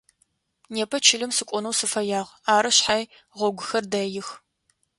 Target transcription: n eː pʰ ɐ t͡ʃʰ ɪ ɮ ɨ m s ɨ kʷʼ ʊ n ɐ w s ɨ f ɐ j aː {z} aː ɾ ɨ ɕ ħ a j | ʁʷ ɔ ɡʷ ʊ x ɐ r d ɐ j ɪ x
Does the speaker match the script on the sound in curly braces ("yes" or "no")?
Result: no